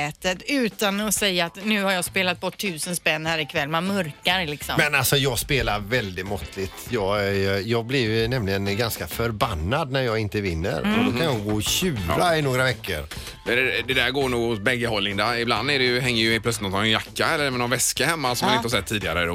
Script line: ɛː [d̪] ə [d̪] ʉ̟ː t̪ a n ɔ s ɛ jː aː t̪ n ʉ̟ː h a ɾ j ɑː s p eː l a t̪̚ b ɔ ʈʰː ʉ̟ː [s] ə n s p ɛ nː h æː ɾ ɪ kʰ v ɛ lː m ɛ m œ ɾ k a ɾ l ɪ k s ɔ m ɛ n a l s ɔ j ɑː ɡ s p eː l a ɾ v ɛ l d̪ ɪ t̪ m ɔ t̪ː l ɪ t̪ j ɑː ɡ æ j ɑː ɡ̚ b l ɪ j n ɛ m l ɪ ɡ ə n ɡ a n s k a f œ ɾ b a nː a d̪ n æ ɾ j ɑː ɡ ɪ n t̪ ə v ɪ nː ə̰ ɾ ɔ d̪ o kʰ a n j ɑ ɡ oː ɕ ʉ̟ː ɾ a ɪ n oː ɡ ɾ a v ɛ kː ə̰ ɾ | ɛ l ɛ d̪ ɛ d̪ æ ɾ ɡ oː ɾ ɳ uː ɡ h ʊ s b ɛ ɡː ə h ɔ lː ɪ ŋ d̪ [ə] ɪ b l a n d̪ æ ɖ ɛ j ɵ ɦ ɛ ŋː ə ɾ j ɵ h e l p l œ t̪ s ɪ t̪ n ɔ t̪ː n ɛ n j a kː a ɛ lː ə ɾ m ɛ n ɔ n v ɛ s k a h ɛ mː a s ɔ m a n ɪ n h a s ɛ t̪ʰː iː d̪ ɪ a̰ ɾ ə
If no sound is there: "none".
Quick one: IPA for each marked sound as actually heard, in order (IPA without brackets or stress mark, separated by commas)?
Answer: t̪, t̪, s, a